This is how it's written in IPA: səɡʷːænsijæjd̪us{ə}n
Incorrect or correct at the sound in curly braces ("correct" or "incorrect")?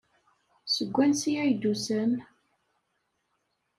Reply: correct